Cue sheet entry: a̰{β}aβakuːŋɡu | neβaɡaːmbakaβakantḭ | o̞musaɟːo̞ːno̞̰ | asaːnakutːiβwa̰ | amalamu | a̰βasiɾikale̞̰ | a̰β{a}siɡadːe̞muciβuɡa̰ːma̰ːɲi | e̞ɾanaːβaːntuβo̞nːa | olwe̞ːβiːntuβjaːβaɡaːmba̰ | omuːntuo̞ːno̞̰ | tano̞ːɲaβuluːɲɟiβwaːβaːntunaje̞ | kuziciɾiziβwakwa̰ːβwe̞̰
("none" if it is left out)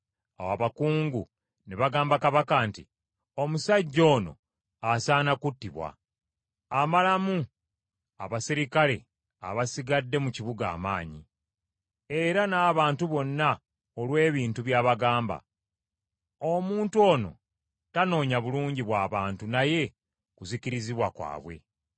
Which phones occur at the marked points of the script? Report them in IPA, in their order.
w, a

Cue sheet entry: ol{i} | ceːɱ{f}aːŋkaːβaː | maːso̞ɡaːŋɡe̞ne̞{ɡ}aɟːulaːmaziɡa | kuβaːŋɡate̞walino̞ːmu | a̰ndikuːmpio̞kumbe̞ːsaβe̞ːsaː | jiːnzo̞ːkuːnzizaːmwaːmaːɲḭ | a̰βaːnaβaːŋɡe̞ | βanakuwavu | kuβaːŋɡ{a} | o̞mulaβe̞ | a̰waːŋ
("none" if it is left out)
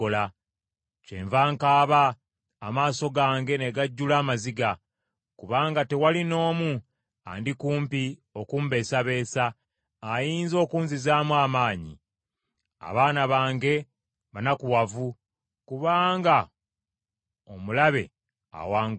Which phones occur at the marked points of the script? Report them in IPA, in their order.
a, v, ɡ, a

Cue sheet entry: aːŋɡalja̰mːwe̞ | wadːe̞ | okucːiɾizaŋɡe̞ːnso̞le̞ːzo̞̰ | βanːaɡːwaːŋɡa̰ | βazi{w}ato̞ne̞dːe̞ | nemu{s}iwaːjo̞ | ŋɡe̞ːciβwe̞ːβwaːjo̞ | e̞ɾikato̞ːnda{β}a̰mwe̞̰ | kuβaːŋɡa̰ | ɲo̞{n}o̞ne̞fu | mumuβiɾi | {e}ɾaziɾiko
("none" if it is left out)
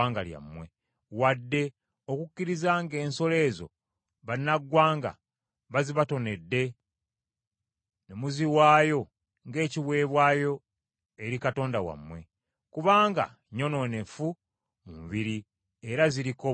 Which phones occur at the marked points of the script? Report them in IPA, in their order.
β, z, w, n, e

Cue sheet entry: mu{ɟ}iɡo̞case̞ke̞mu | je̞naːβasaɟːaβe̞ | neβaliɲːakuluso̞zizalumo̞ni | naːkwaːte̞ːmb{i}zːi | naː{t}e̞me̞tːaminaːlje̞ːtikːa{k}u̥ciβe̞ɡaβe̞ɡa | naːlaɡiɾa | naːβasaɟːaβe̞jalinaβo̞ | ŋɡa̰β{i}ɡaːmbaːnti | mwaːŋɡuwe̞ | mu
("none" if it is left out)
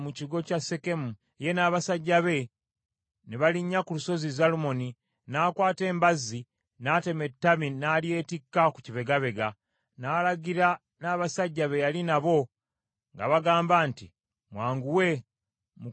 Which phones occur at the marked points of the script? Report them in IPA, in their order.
c, a, t, k, a

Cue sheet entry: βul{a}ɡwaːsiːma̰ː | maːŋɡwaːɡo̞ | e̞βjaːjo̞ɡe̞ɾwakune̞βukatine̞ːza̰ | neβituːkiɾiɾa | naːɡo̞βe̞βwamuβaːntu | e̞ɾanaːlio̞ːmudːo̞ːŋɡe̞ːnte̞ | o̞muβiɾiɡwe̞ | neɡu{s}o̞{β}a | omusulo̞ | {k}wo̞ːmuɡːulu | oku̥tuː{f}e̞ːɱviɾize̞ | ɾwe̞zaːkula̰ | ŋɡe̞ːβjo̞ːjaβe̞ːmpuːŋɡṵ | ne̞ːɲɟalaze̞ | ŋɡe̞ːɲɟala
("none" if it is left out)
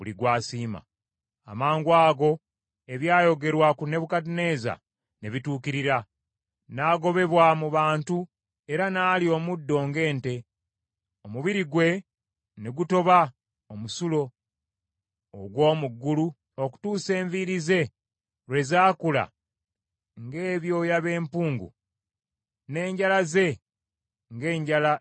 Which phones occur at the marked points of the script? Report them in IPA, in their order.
i, t, β, ɡ, s

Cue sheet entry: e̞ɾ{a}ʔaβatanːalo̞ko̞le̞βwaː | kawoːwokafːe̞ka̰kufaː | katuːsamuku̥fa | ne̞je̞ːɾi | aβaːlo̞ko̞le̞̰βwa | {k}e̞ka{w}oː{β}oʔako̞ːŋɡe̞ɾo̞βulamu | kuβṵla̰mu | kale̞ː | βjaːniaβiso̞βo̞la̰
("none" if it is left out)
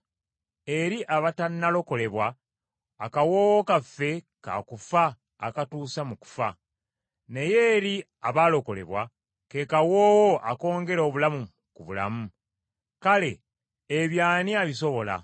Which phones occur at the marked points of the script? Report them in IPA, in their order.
i, k, w, w

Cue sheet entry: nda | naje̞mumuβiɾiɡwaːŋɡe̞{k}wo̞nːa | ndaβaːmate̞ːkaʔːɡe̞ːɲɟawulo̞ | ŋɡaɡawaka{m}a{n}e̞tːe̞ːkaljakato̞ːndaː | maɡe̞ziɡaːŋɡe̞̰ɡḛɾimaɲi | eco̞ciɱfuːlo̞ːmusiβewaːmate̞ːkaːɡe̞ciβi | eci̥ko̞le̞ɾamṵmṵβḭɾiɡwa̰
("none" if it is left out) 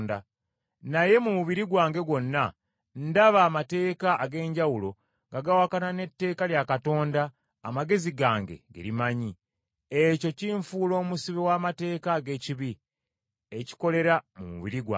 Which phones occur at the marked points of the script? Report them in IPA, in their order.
ɡ, n, n

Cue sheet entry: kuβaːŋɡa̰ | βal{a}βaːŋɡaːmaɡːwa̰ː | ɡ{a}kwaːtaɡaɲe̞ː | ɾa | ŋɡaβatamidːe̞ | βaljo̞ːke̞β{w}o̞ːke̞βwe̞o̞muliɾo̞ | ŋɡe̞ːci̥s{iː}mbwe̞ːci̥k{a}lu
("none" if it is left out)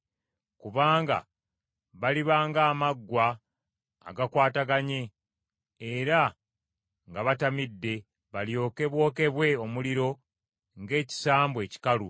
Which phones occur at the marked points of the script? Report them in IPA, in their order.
i, a, w, aː, a

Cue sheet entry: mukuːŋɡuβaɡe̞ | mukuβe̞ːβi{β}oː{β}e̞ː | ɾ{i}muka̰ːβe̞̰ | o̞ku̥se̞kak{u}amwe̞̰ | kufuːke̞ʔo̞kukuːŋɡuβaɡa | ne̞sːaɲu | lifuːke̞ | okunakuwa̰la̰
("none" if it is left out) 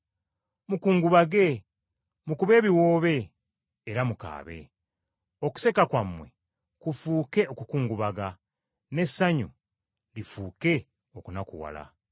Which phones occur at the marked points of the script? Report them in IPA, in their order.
w, β, a, w

